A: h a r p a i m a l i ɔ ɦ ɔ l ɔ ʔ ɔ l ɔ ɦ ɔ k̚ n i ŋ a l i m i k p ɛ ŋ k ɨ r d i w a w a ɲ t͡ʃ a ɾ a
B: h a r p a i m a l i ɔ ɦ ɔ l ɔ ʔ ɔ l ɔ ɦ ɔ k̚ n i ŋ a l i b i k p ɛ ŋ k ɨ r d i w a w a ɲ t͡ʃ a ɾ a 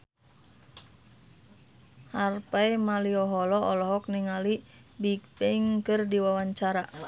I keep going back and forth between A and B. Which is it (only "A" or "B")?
B